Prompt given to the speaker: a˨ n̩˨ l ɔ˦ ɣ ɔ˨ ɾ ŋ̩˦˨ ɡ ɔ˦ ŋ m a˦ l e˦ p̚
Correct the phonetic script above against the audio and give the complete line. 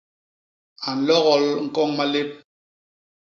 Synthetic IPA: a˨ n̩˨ l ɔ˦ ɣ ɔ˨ l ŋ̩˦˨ k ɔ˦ ŋ m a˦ l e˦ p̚